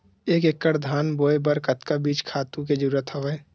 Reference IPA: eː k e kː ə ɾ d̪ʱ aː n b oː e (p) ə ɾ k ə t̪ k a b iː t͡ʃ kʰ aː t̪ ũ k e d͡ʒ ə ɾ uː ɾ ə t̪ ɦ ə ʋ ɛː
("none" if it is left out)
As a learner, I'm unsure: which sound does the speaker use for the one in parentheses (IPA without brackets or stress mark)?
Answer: b